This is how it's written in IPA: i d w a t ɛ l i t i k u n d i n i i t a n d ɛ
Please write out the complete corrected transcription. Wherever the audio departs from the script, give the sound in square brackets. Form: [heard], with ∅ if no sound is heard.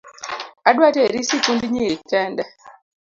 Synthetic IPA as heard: [a] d w a t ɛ [ɾ] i [s] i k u n d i [ɲ] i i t [ɛ] n d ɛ